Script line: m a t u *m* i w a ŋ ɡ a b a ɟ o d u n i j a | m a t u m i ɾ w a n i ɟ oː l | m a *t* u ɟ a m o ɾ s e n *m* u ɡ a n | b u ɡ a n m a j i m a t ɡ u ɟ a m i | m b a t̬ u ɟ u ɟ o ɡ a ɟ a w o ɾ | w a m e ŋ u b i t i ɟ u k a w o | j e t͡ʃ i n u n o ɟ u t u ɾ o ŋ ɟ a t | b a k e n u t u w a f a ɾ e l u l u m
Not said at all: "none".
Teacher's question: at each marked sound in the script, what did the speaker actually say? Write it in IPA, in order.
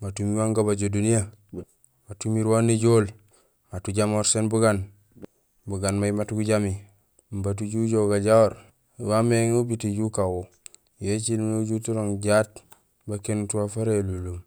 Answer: m, t, b

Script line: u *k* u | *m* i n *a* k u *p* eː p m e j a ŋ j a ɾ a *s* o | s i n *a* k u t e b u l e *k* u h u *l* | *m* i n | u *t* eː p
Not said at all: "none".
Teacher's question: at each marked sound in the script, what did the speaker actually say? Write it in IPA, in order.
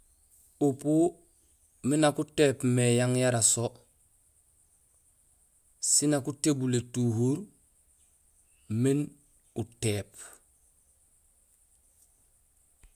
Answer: p, m, a, t, s, a, t, ɾ, m, t

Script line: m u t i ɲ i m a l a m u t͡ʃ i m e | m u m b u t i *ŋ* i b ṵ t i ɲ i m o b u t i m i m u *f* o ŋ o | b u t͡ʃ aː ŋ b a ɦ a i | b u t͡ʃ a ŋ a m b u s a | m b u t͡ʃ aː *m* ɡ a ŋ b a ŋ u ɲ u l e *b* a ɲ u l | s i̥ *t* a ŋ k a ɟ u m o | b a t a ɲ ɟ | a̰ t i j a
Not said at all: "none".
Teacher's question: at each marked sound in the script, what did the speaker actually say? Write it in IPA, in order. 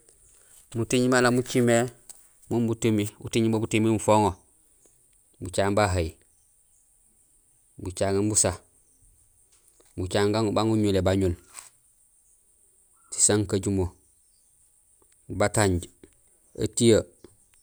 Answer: m, f, ŋ, b, s

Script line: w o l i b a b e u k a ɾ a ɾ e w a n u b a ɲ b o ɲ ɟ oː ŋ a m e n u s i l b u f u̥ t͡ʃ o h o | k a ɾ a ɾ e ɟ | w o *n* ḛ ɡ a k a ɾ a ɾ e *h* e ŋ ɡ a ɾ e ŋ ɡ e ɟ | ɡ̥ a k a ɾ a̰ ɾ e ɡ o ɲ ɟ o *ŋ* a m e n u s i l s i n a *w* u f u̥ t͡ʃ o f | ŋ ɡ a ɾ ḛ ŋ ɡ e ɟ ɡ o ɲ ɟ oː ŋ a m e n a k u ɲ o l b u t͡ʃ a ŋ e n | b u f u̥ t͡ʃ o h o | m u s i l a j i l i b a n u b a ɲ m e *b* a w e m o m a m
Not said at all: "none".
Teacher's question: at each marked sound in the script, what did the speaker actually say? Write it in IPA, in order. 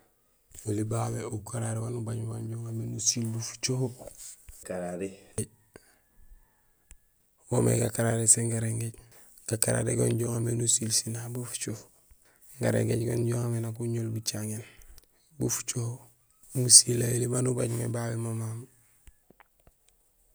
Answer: m, s, ŋ, b, b

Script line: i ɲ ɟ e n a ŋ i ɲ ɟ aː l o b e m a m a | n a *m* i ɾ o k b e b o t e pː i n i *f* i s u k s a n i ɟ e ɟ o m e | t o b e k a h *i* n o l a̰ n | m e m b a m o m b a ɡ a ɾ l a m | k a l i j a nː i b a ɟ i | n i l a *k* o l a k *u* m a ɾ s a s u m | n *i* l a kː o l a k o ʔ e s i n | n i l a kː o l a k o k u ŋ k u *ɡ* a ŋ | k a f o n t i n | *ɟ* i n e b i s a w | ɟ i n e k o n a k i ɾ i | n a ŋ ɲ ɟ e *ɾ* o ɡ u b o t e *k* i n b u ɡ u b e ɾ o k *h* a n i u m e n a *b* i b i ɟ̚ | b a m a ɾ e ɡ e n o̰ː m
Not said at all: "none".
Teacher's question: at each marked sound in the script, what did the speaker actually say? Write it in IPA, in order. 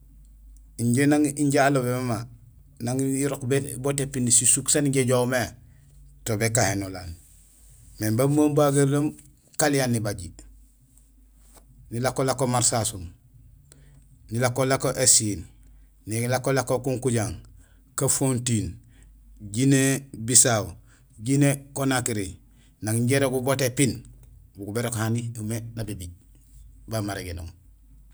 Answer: ŋ, s, e, k, o, i, ɟ, ɟ, ɾ, p, h, b

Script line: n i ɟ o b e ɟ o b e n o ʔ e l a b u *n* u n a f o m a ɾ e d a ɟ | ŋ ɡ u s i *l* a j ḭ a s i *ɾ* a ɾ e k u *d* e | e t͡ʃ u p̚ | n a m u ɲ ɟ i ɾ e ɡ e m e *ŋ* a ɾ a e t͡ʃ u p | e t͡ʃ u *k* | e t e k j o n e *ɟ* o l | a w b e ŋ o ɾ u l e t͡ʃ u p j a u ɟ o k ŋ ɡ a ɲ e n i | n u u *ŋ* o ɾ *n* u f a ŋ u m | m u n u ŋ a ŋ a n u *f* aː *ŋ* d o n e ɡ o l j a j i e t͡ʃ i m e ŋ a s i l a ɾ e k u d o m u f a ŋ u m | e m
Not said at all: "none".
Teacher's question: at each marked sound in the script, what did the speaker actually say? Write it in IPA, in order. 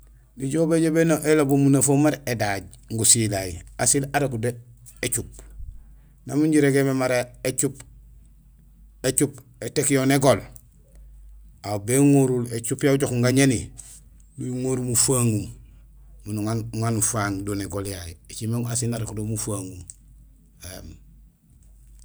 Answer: m, l, l, d, m, p, ɡ, ŋ, m, f, ŋ

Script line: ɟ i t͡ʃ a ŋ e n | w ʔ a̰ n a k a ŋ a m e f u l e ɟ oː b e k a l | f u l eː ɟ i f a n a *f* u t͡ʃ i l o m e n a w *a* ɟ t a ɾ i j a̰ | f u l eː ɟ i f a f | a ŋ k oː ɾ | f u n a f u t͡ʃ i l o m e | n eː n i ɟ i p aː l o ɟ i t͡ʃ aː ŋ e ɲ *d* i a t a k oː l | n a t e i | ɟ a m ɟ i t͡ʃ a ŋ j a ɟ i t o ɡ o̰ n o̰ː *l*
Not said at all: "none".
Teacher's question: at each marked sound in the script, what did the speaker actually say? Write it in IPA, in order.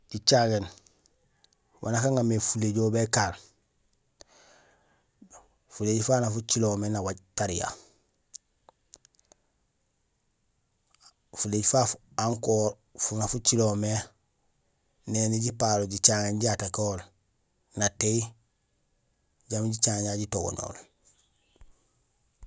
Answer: f, a, ɟ, l

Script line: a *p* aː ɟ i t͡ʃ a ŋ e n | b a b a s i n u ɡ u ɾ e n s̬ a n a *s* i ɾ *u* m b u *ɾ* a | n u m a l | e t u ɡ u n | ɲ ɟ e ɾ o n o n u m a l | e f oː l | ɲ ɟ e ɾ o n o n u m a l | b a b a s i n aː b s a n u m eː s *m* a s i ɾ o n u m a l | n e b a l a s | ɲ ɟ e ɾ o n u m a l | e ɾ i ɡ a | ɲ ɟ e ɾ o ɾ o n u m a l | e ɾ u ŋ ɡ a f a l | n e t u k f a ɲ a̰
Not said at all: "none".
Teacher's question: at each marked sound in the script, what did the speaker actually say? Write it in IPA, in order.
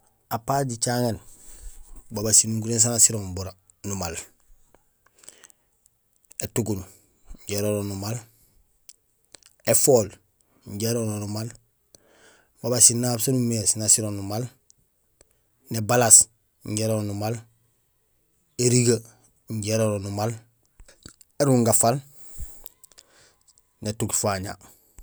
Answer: p, s, o, ɾ, n

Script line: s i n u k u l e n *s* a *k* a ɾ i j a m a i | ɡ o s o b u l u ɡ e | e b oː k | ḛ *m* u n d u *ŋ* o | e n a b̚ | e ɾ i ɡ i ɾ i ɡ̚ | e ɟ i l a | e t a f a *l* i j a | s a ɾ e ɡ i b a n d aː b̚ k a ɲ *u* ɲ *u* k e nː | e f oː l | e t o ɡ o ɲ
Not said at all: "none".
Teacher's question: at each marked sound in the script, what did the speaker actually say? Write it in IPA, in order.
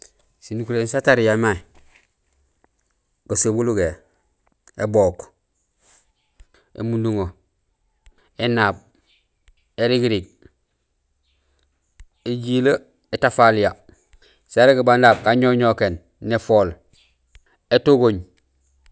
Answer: s, t, m, ŋ, l, o, o

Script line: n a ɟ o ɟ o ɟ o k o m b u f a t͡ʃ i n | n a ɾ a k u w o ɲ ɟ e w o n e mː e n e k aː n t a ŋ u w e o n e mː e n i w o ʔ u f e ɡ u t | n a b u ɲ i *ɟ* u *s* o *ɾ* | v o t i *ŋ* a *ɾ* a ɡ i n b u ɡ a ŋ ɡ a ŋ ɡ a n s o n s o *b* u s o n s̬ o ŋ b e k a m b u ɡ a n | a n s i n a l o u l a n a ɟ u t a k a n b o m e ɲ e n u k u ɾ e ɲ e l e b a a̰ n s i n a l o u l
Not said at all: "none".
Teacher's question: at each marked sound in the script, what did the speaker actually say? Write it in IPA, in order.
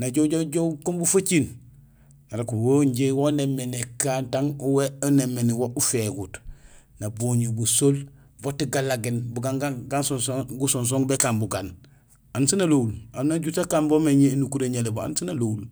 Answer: b, s, l, ɡ, l, ɡ

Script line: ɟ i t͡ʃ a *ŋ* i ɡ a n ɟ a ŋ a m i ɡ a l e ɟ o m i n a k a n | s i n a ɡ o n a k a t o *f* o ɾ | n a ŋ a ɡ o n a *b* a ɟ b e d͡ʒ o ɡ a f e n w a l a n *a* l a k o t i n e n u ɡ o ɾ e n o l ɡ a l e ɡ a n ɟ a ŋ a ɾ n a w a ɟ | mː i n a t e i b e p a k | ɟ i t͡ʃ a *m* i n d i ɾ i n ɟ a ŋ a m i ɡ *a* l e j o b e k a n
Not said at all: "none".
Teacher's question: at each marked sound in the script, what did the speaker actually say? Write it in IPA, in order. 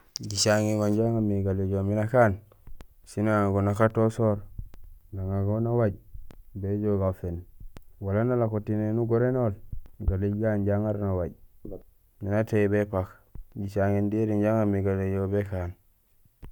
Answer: ŋ, s, w, a, ŋ, a

